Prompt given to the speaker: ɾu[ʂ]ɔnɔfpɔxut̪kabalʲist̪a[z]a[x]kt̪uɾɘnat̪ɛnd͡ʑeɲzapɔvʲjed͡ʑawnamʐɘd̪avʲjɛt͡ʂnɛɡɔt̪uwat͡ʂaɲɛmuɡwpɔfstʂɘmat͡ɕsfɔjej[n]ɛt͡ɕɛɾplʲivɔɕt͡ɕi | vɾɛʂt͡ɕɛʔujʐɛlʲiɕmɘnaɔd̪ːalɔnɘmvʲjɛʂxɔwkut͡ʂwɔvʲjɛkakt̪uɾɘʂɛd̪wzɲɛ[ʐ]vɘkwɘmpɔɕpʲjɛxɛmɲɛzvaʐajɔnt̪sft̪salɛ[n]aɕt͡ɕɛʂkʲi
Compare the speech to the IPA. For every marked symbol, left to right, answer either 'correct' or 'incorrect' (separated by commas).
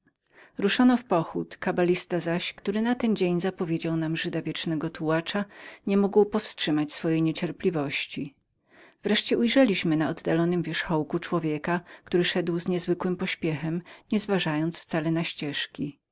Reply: correct, correct, incorrect, incorrect, incorrect, correct